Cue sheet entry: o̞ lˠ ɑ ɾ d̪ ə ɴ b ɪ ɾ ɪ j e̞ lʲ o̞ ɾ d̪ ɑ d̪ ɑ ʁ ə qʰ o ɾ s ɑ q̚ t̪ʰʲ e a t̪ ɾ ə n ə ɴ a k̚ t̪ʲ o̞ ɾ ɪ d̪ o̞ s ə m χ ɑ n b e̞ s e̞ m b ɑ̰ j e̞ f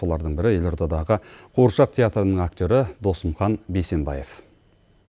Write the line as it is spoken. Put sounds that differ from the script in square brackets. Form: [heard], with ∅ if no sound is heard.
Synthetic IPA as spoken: o̞ lˠ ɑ ɾ d̪ ə ɴ b ɪ ɾ ɪ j e̞ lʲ o̞ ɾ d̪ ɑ d̪ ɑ ʁ ə qʰ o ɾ [ʃ] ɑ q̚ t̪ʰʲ e a t̪ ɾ ə n ə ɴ a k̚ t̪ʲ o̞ ɾ ɪ d̪ o̞ s ə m χ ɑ n b e̞ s e̞ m b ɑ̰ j e̞ f